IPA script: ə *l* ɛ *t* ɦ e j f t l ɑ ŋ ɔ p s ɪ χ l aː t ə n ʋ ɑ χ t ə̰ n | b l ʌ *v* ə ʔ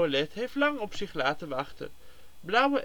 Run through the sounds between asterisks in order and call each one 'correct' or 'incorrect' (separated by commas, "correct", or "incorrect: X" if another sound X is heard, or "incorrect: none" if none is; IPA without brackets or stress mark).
correct, correct, incorrect: w